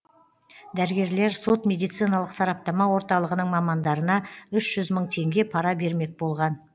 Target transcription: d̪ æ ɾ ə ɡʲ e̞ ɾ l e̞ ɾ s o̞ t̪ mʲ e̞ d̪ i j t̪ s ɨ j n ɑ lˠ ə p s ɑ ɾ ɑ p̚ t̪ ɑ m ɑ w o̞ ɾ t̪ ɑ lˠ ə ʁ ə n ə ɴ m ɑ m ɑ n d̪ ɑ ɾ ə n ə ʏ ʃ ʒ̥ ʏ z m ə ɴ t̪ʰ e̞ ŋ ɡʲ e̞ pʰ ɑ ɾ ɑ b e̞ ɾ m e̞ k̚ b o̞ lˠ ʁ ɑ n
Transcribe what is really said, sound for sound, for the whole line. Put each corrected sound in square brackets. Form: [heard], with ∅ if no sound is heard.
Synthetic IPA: d̪ æ ɾ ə ɡʲ e̞ ɾ l e̞ ɾ s o̞ t̪ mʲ e̞ d̪ i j t̪ s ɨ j n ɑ lˠ ə [q] s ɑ ɾ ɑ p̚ t̪ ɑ m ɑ w o̞ ɾ t̪ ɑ lˠ ə ʁ ə n ə ɴ m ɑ m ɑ n d̪ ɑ ɾ ə n [ɑ] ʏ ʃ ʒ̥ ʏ z m ə ɴ t̪ʰ e̞ ŋ ɡʲ e̞ pʰ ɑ ɾ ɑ b e̞ ɾ m e̞ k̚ b o̞ lˠ ʁ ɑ n